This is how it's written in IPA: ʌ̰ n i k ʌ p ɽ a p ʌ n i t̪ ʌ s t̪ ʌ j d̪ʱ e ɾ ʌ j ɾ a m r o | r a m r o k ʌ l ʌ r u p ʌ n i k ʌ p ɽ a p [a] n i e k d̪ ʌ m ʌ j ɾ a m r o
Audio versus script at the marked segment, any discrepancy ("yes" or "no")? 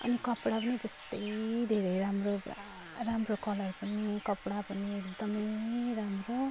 yes